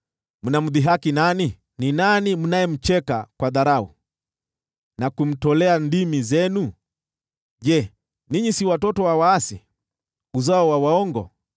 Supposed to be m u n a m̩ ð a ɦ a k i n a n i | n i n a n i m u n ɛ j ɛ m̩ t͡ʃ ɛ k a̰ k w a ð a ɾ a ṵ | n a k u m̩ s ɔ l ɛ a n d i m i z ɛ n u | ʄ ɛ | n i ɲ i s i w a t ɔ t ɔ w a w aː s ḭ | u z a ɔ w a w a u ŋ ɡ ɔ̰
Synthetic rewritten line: m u n a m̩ ð i ɦ a k i n a n i | n i n a n i m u n a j ɛ m̩ t͡ʃ ɛ k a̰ k w a ð a ɾ a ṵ | n a k u m̩ t ɔ l ɛ a n d i m i z ɛ n u | ʄ ɛ | n i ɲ i s i w a t ɔ t ɔ w a w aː s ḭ | u z a ɔ w a w a ɔ ŋ ɡ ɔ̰